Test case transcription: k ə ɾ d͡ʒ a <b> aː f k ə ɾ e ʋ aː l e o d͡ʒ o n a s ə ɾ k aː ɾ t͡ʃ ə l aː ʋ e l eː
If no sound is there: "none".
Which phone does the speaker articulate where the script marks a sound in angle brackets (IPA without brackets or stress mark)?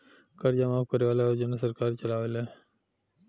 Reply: m